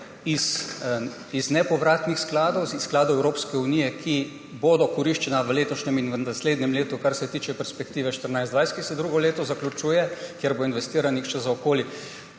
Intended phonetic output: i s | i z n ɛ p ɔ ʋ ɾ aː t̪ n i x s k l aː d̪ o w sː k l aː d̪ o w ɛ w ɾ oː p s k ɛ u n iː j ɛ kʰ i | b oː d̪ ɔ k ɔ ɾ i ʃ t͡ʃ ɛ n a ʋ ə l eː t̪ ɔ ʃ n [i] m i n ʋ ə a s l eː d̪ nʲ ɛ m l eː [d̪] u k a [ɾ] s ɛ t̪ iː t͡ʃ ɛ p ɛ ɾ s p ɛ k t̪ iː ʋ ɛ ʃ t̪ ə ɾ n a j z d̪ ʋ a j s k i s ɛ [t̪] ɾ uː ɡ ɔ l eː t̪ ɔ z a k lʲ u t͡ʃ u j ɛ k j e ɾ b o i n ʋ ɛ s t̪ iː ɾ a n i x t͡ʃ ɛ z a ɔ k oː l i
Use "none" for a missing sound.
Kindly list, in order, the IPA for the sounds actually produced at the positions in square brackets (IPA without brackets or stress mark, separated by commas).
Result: ɛ, t̪, ɾ, d̪